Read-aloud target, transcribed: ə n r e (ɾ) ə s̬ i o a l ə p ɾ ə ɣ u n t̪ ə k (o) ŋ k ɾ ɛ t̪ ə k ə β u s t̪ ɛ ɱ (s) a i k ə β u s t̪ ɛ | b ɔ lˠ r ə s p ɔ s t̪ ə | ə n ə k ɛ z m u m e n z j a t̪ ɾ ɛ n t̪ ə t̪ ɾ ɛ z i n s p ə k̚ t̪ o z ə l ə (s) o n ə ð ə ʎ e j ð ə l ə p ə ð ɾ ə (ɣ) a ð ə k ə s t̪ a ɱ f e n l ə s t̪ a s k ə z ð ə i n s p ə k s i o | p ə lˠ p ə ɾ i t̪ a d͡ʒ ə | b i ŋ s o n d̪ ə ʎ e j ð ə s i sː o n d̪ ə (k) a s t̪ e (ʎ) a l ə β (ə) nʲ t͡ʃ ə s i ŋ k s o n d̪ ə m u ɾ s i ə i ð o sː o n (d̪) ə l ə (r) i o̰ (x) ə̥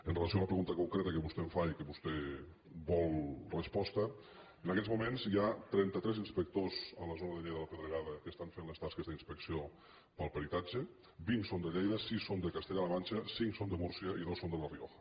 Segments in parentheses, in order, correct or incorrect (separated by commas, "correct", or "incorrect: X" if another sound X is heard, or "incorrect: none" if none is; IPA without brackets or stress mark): incorrect: l, incorrect: u, incorrect: f, incorrect: z, correct, correct, correct, incorrect: a, correct, correct, correct